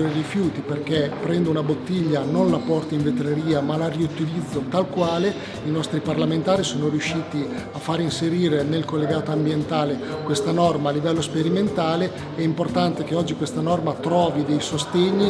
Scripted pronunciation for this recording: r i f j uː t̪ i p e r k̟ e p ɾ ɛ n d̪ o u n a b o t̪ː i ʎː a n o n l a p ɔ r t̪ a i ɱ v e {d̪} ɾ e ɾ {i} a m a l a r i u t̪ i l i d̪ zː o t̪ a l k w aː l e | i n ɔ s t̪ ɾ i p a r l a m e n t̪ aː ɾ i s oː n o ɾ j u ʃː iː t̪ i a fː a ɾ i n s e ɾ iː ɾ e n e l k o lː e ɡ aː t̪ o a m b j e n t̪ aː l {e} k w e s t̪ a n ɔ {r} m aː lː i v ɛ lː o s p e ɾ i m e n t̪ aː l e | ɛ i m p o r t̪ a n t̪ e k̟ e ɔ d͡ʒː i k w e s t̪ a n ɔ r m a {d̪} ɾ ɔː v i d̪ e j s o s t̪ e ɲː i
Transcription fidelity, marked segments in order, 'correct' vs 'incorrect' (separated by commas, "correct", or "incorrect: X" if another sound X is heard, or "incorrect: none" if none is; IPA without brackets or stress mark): incorrect: t̪, incorrect: iː, correct, correct, incorrect: t̪